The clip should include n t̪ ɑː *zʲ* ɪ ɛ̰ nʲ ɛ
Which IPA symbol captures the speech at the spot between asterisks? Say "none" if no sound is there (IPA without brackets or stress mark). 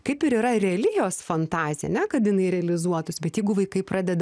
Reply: zʲ